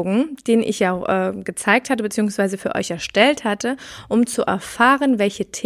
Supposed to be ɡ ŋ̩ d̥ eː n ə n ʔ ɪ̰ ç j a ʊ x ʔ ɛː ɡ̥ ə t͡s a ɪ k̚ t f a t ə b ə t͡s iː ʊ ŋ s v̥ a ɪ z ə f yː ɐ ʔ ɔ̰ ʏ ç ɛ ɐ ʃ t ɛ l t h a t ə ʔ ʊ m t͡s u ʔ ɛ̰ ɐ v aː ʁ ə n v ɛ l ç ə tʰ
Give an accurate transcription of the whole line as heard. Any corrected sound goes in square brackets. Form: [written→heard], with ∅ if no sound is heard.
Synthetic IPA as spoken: ɡ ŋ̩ d̥ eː n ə n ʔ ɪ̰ ç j a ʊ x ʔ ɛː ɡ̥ ə t͡s a ɪ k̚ t [f→h] a t ə b ə t͡s iː ʊ ŋ s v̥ a ɪ z ə f yː ɐ ʔ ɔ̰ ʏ ç ɛ ɐ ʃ t ɛ l t h a t ə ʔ ʊ m t͡s u ʔ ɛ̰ ɐ [v→f] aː ʁ ə n v ɛ l ç ə tʰ